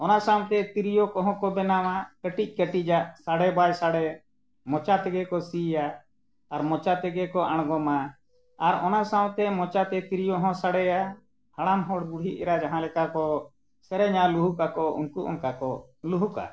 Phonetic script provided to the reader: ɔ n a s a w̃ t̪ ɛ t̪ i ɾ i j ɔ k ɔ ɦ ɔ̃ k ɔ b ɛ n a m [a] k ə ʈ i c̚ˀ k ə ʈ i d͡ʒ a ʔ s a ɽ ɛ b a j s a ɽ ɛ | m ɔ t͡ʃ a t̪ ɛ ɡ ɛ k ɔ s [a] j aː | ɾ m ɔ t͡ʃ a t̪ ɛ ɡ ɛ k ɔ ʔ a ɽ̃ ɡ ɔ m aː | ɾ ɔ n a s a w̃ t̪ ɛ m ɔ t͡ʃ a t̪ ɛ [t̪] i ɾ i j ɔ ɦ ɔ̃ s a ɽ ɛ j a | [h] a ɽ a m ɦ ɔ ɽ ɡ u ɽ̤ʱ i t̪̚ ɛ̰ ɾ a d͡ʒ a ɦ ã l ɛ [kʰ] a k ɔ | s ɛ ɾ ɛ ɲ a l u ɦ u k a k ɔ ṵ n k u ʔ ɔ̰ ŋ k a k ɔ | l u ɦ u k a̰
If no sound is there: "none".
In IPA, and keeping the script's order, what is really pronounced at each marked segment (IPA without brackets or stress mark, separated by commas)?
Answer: a, i, t̪, h, k